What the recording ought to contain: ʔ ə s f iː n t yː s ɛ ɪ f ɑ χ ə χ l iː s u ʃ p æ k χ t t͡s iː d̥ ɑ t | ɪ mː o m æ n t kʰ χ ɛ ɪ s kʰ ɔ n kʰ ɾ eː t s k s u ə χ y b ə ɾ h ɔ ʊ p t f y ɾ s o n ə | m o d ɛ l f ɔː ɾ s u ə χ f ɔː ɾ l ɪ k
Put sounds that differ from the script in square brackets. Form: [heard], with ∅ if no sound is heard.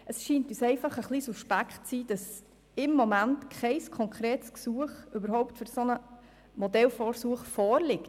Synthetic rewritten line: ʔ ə s [ʃ] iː n t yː s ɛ ɪ f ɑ χ ə χ l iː s u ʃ p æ k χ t t͡s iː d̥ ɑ [s] | ɪ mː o m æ n t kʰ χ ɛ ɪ s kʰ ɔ [ŋ] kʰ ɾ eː t s k s u ə χ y b ə ɾ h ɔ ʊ p t f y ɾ s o n ə | m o d ɛ l f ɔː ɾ s u ə χ f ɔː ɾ l ɪ k